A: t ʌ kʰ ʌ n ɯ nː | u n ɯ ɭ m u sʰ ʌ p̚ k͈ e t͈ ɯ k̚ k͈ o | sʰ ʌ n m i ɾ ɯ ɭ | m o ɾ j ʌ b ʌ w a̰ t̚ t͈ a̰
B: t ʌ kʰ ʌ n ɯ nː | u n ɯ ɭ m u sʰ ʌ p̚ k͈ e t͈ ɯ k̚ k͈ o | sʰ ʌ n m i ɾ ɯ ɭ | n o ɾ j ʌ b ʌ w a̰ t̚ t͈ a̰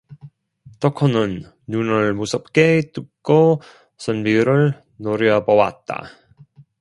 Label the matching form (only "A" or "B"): B